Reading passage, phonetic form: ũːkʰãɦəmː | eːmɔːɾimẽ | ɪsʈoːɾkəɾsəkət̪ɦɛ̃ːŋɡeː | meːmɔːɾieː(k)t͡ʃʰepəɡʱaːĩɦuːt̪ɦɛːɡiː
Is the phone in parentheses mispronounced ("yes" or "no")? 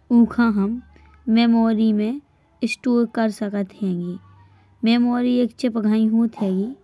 no